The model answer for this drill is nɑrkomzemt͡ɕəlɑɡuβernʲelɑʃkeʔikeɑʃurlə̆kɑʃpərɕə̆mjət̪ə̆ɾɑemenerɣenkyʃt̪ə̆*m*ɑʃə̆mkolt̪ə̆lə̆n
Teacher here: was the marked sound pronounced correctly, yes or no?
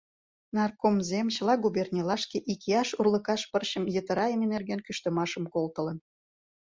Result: yes